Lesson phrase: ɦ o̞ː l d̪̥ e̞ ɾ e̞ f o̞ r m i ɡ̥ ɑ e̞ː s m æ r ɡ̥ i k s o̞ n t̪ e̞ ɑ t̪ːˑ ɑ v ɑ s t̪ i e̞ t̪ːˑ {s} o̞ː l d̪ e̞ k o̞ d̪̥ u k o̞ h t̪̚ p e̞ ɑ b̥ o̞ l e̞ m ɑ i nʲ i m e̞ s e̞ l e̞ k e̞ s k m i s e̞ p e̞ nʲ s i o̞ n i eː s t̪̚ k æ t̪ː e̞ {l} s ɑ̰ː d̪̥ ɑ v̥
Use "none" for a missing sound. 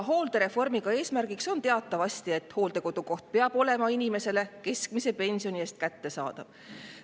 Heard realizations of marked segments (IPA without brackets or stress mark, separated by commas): h, none